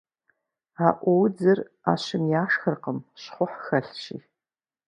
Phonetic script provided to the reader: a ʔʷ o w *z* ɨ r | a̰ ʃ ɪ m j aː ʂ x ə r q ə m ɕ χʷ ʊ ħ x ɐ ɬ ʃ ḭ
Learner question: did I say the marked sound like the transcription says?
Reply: no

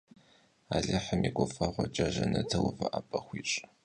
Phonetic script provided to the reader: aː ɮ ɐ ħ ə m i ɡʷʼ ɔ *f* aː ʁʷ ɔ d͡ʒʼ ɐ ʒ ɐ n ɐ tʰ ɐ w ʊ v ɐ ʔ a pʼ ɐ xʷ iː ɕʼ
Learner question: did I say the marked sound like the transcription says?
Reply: yes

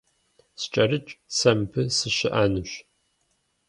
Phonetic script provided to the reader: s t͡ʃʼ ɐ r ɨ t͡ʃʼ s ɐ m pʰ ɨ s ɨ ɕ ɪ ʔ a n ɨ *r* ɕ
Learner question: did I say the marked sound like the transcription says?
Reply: no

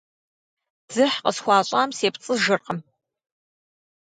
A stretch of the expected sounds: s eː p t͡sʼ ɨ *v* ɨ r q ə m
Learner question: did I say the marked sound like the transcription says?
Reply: no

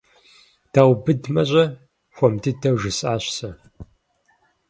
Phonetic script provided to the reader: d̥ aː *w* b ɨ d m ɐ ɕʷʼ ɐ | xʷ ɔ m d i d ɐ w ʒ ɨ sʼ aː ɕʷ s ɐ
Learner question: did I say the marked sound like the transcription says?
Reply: yes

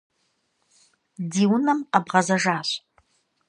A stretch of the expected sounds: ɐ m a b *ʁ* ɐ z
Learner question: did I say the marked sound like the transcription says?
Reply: yes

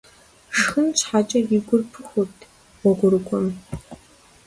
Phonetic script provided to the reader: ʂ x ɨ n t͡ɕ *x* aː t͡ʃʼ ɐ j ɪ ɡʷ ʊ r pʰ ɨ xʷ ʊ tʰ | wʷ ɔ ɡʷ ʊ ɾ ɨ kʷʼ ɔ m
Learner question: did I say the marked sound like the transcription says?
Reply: no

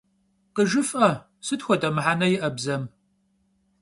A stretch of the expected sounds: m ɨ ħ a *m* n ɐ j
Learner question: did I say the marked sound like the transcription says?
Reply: no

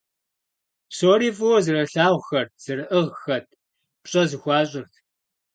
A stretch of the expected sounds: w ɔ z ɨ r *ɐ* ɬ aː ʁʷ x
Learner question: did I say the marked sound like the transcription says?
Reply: yes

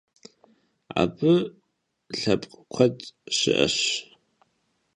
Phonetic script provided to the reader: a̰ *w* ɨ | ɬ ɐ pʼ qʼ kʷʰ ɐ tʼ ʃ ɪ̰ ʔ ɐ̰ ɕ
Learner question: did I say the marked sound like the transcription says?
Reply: no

